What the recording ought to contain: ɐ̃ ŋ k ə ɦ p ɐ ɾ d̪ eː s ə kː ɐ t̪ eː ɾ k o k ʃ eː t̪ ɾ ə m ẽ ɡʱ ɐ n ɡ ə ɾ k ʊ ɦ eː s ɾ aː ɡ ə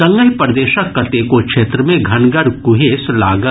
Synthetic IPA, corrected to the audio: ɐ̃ ŋ ɡ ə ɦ p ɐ ɾ d̪ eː ʃ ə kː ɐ t̪ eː k o k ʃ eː t̪ ɾ ə m ẽ ɡʱ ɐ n ɡ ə ɾ k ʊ ɦ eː s l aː ɡ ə